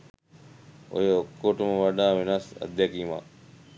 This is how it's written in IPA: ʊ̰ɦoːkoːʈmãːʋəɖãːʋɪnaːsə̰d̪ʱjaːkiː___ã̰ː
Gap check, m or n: m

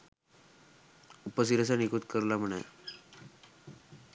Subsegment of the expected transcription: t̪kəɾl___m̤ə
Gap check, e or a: a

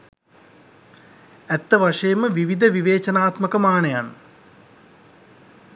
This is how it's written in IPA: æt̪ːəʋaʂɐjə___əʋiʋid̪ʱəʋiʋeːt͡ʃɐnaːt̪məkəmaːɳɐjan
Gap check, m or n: m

